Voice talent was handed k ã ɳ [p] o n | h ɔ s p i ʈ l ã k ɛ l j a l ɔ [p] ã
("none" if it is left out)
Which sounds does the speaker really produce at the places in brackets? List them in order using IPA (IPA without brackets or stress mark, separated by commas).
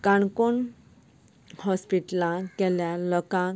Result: k, k